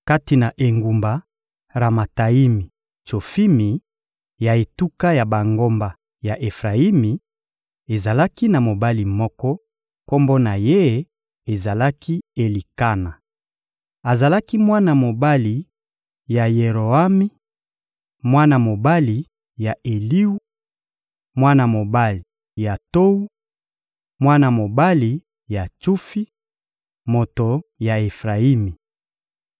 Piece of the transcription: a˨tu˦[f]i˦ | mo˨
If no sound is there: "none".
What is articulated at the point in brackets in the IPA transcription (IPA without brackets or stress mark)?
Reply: f